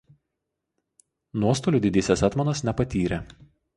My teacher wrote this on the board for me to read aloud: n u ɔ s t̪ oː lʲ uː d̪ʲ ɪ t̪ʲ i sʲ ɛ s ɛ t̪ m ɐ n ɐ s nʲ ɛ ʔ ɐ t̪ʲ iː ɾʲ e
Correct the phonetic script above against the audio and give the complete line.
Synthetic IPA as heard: n u ɔ s t̪ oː lʲ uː d̪ʲ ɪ d̪ʲ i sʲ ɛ s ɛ t̪ m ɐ n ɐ s nʲ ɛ p ɐ t̪ʲ iː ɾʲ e